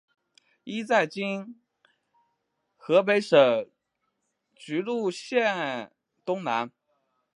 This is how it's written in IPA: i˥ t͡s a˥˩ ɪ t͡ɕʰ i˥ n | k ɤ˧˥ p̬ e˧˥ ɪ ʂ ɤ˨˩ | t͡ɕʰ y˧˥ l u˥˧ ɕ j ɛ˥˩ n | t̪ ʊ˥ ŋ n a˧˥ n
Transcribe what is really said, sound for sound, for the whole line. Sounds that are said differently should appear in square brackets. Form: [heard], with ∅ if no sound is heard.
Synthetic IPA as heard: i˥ t͡s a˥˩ ɪ [t͡ɕ] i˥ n | [x] ɤ˧˥ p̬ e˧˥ ɪ ʂ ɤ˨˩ | [t͡ɕ] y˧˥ l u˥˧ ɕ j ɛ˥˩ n | t̪ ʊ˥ ŋ n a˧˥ n